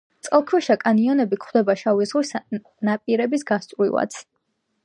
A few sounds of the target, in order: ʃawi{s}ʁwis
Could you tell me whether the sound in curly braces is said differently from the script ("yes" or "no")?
yes